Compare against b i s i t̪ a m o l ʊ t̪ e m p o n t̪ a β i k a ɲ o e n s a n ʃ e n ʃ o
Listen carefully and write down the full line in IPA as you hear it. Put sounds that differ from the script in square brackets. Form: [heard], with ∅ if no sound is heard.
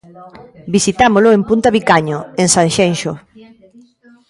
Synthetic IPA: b i s i t̪ a m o l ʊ [∅] e m p [u] n t̪ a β i k a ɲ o e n s a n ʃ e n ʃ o